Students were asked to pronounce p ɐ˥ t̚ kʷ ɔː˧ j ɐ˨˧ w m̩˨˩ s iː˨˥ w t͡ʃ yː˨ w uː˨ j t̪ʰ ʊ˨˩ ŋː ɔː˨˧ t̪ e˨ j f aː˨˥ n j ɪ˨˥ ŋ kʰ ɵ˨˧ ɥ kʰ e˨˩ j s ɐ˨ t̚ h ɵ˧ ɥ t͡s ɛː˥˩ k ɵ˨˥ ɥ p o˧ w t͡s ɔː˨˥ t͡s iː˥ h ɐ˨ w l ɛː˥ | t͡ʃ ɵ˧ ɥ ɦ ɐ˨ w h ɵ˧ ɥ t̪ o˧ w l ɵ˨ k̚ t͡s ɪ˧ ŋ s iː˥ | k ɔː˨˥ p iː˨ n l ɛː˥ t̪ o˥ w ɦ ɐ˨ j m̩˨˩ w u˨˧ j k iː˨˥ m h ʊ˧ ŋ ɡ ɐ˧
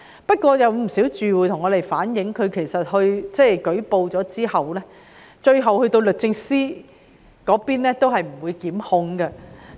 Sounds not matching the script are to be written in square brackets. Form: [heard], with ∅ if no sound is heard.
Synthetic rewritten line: p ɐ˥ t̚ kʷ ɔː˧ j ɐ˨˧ w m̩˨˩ s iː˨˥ w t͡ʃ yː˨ w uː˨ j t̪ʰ ʊ˨˩ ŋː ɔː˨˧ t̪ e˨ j f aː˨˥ n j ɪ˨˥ ŋ kʰ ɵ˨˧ ɥ kʰ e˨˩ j s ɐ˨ t̚ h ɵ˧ ɥ t͡s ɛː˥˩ k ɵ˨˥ ɥ p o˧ w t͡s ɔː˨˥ t͡s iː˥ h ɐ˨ w l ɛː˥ | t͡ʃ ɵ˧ ɥ ɦ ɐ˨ w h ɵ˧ ɥ t̪ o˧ w l ɵ˨ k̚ t͡s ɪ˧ ŋ s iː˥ | k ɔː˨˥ p [iː˥] n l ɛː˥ t̪ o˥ w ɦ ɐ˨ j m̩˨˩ w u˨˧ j k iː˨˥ m h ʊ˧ ŋ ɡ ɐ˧